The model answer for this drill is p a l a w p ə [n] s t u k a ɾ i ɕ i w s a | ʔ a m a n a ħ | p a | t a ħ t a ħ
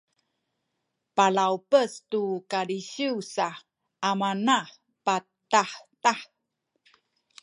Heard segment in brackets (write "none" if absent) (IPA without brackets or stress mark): none